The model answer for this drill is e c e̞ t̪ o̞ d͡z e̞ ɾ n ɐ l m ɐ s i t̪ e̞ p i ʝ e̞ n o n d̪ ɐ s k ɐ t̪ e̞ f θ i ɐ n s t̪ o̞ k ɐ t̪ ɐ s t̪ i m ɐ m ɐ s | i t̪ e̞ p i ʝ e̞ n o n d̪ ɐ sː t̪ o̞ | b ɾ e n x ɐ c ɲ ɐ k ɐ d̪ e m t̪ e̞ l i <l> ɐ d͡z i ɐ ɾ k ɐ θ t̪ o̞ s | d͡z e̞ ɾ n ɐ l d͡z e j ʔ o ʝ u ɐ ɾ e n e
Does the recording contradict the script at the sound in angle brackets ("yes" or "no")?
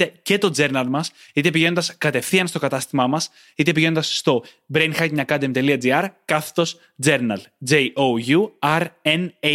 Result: yes